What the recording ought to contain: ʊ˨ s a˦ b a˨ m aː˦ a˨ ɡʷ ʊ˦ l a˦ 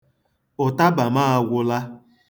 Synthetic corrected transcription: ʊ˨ t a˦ b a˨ m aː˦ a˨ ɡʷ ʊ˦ l a˦